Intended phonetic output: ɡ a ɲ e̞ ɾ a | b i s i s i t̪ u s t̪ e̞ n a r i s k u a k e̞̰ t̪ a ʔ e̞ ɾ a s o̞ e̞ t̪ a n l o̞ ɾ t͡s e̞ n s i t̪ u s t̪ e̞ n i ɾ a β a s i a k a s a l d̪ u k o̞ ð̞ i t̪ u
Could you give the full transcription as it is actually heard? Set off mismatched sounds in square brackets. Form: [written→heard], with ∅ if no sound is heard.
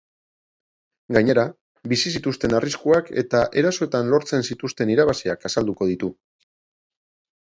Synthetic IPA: ɡ a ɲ e̞ ɾ a | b i s i s i t̪ u s t̪ e̞ n a r i s k u a k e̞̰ t̪ a ʔ e̞ ɾ a s o̞ e̞ t̪ a n l o̞ ɾ t͡s e̞ n s i t̪ u s t̪ e̞ n i ɾ a β a s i a k a s a l d̪ u k o̞ ð̞ i t̪ u